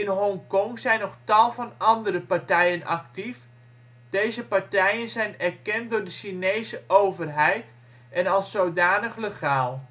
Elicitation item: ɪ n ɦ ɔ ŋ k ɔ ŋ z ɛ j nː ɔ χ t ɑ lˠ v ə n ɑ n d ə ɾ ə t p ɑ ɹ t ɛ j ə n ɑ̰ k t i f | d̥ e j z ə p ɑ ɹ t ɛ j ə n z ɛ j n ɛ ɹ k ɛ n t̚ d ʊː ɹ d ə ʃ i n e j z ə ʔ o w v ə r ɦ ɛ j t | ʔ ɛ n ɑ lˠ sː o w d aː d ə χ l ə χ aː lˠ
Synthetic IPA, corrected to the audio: ɪ n ɦ ɔ ŋ k ɔ ŋ z ɛ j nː ɔ χ t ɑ lˠ v ɑ n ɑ n d ə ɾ ə p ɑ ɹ t ɛ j ə n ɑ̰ k t i f | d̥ e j z ə p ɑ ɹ t ɛ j ə n z ɛ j n ɛ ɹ k ɛ n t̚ d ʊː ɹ d ə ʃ i n e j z ə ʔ o w v ə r ɦ ɛ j t | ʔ ɛ n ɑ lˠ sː o w d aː n ə χ l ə χ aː lˠ